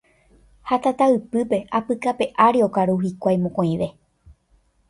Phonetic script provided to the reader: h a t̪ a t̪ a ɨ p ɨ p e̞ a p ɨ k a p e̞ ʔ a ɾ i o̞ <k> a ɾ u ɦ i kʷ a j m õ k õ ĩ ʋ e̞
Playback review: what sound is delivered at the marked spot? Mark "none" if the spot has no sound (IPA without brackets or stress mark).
k